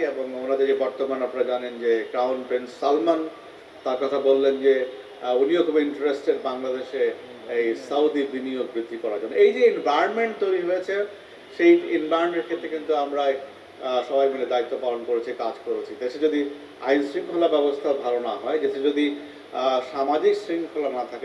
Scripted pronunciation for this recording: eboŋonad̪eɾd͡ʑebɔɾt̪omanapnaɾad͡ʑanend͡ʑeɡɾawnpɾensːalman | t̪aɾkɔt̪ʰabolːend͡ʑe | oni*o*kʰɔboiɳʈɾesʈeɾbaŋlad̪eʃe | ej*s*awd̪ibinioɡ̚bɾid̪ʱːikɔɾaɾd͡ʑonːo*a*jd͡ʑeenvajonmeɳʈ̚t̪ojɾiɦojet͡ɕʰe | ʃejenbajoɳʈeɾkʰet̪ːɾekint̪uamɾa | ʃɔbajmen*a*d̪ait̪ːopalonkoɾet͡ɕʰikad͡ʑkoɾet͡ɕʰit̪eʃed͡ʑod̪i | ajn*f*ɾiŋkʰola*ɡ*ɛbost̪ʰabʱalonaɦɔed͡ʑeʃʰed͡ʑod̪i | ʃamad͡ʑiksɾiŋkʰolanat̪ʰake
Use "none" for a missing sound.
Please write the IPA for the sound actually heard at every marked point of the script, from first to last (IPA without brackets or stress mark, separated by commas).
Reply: o, s, e, e, s, b